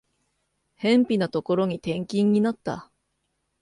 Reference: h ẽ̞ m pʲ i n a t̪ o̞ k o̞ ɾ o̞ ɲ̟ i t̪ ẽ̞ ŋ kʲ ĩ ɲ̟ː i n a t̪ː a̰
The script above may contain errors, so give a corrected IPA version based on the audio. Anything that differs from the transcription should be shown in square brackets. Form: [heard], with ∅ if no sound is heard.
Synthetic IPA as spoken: h ẽ̞ m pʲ i n a t̪ o̞ k o̞ ɾ o̞ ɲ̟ i t̪ ẽ̞ ŋ kʲ ĩ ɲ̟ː i n a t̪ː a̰